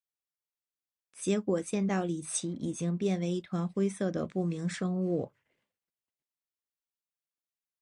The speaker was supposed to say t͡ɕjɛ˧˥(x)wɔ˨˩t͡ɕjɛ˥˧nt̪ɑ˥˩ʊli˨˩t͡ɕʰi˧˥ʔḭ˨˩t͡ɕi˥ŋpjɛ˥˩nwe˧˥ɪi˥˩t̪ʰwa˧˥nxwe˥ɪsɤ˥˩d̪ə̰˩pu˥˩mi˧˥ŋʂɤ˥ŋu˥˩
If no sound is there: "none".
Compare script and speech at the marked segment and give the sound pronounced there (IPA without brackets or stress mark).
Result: k